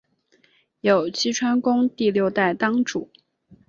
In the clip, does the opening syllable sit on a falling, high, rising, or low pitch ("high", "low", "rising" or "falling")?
low